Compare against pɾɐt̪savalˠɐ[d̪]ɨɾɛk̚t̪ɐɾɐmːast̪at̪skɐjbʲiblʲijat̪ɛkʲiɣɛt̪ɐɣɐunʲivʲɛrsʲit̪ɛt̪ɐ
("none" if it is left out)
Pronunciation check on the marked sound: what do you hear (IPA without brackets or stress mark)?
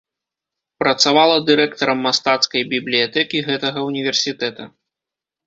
d̪